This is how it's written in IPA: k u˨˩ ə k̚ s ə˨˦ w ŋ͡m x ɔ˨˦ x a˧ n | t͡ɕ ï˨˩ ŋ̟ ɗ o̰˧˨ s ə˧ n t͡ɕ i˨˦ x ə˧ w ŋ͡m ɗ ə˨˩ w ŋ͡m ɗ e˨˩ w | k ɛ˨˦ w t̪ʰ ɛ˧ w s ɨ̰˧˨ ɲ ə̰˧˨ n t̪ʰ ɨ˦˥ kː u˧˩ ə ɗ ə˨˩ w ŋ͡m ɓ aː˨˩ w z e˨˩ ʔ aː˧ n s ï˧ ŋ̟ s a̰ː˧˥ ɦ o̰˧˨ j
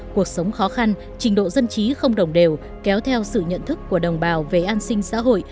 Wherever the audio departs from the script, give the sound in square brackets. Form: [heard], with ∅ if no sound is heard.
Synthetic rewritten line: k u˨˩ ə k̚ s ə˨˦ w ŋ͡m x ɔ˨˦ x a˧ n | t͡ɕ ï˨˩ ŋ̟ ɗ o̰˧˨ [z] ə˧ n t͡ɕ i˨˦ x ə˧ w ŋ͡m ɗ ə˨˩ w ŋ͡m ɗ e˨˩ w | k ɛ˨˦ w t̪ʰ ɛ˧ w s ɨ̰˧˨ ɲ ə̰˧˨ n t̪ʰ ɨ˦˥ kː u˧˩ ə ɗ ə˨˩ w ŋ͡m ɓ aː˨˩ w [v] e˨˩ ʔ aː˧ n s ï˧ ŋ̟ s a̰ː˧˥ ɦ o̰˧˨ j